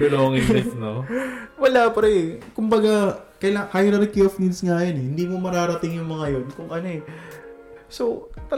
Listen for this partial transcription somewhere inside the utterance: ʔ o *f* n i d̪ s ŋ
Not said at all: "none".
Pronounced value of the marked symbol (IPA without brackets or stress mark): f